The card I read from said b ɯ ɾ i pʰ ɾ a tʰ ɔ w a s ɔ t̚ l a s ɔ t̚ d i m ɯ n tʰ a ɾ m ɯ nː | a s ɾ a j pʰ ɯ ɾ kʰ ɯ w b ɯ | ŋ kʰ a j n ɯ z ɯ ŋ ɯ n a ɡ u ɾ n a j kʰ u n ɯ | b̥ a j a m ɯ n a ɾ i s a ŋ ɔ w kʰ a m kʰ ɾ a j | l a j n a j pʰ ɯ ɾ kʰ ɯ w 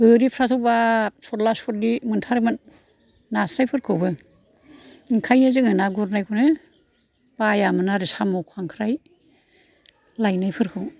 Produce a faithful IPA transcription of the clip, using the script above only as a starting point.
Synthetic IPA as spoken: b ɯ ɾ i pʰ ɾ a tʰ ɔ b a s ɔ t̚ l a s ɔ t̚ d i m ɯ n tʰ a ɾ m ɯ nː | a s ɾ a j pʰ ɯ ɾ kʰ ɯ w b ɯ | ŋ kʰ a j n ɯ z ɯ ŋ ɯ n a ɡ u ɾ n a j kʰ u n ɯ | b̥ a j a m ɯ n a ɾ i s a m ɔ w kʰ a ŋ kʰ ɾ a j | l a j n a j pʰ ɯ ɾ kʰ ɯ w